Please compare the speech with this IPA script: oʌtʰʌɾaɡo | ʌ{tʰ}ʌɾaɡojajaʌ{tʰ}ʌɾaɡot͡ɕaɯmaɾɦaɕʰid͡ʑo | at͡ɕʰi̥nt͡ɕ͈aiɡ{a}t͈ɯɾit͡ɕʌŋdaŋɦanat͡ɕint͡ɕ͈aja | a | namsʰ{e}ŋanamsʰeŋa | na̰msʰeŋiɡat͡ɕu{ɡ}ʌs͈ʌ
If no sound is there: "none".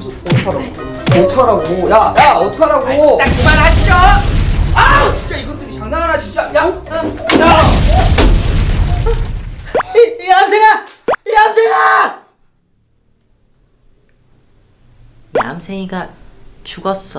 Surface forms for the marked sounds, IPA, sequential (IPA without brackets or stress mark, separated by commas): tʰ, tʰ, ʌ, e, ɡ